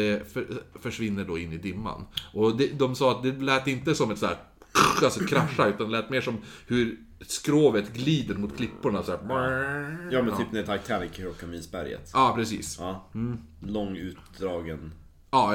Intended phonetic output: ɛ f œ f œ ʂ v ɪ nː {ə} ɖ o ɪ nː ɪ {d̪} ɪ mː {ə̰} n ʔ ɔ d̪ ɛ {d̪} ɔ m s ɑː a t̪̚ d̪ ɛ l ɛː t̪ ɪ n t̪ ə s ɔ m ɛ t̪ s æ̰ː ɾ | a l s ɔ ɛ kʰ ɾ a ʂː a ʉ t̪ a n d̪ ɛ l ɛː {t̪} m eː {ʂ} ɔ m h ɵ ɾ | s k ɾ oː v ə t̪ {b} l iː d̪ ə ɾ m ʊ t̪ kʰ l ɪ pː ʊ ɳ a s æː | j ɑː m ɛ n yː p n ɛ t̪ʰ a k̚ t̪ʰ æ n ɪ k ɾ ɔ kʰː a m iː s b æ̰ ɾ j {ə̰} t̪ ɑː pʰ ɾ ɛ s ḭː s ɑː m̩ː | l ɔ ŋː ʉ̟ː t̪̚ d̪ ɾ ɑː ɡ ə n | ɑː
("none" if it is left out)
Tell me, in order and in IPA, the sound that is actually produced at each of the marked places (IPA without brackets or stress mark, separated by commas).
ə, d̪, a̰, d̪, t̪, ʂ, ɡ, ə̰